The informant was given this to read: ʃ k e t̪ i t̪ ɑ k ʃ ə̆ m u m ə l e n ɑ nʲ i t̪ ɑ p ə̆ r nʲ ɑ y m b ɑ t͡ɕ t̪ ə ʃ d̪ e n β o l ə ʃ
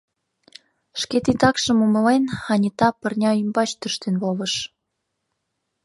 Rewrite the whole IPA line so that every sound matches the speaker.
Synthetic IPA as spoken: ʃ k e t̪ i t̪ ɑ k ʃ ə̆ m u m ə l e n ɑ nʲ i t̪ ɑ p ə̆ r nʲ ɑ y m b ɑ t͡ɕ t̪ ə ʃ t̪ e n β o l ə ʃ